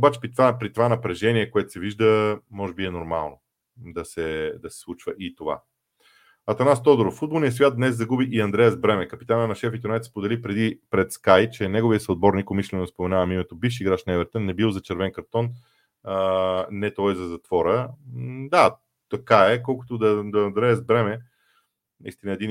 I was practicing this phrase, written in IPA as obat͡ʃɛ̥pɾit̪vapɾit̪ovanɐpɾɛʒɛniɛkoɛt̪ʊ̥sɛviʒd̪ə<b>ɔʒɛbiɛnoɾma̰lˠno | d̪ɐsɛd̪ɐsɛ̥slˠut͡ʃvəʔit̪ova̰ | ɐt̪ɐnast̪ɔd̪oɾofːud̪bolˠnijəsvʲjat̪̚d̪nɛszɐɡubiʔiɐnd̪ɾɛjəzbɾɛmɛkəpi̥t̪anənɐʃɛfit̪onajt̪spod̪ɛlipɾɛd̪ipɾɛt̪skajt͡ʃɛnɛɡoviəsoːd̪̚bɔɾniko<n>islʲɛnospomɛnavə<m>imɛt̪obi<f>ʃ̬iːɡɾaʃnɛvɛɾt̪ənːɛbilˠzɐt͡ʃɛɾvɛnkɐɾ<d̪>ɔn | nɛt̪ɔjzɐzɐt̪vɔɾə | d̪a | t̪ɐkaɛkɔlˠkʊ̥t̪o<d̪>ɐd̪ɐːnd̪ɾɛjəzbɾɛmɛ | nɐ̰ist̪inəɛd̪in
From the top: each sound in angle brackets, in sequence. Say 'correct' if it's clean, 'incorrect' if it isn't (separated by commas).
incorrect, incorrect, correct, correct, incorrect, correct